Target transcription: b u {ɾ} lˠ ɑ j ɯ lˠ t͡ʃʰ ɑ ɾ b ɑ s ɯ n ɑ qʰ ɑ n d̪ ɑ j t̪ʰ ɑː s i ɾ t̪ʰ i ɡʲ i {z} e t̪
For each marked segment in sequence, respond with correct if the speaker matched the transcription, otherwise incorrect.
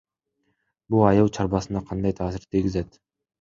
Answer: incorrect: none, correct

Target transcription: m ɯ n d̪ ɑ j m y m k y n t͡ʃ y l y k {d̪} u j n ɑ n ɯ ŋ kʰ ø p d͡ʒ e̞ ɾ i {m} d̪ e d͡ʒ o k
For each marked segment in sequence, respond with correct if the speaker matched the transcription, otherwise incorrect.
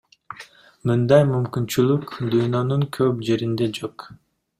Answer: correct, incorrect: n

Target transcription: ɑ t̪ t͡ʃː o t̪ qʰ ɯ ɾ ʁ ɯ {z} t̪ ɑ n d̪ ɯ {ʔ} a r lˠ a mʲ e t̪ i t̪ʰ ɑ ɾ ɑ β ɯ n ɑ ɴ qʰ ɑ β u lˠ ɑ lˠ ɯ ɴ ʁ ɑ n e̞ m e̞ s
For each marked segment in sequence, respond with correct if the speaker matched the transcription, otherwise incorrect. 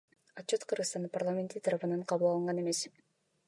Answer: incorrect: s, incorrect: p

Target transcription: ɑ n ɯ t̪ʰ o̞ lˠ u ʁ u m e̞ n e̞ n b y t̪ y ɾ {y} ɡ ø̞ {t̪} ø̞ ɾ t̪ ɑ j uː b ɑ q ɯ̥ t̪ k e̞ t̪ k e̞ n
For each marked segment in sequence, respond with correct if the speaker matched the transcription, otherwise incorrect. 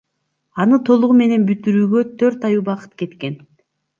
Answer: incorrect: yː, incorrect: t̪ʰ

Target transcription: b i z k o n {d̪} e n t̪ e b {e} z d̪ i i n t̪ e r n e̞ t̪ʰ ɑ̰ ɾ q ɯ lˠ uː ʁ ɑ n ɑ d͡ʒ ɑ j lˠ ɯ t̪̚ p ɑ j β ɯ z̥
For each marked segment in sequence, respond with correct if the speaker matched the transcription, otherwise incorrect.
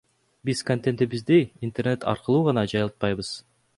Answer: incorrect: t̪, incorrect: i

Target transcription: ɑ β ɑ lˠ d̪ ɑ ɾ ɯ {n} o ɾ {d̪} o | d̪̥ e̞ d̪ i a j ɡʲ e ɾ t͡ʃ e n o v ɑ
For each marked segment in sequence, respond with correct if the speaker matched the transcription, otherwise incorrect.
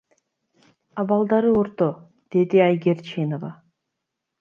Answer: incorrect: none, incorrect: t̪

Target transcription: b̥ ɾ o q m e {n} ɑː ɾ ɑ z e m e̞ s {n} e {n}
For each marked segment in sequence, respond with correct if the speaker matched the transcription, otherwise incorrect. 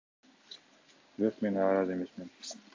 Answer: correct, incorrect: m, correct

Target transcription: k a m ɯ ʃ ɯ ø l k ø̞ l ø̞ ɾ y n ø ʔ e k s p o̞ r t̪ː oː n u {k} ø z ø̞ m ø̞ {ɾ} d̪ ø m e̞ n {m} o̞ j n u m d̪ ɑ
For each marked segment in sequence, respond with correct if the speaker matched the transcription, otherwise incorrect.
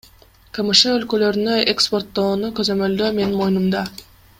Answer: correct, incorrect: l, correct

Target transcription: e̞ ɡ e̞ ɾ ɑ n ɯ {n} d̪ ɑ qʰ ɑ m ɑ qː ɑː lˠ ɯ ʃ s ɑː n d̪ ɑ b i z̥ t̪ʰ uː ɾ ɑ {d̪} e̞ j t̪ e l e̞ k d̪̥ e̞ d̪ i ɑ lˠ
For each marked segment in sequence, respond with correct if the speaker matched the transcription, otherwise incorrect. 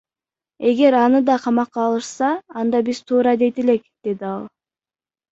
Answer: incorrect: none, correct

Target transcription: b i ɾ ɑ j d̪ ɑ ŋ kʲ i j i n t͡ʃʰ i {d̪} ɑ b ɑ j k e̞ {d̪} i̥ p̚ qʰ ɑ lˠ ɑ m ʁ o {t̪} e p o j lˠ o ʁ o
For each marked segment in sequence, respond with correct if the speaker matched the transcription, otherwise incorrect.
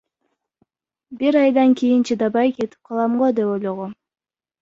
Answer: correct, incorrect: t̪, incorrect: d̪

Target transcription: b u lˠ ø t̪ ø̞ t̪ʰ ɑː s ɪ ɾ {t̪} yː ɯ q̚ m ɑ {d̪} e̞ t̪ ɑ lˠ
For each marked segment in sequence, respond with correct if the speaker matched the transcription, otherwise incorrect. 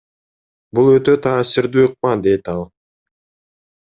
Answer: incorrect: d̪, correct

